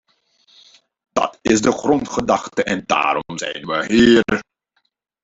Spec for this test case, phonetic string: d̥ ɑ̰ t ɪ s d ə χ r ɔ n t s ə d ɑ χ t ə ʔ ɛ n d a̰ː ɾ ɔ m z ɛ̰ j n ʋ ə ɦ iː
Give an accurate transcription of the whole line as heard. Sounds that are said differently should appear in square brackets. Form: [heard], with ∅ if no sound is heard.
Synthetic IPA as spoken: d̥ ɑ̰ t ɪ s d ə χ r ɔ n t [χ] ə d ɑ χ t ə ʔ ɛ n d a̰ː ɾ ɔ m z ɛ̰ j n ʋ ə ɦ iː